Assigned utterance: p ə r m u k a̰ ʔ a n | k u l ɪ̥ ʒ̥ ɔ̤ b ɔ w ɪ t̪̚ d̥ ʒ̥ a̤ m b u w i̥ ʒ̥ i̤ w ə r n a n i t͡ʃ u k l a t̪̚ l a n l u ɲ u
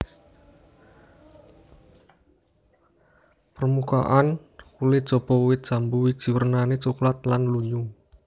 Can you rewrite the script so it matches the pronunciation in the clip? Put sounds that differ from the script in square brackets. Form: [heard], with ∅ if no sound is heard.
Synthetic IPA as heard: p ə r m u k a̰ ʔ a n | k u l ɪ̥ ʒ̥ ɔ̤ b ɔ w ɪ t̪̚ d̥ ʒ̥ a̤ m b u w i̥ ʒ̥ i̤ w ə r n a n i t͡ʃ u k l a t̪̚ l a n l u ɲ u